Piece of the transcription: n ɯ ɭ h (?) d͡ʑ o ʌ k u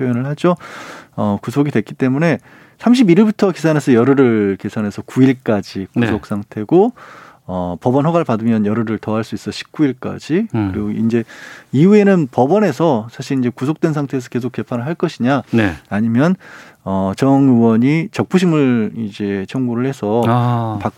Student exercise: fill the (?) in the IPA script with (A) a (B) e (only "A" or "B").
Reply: A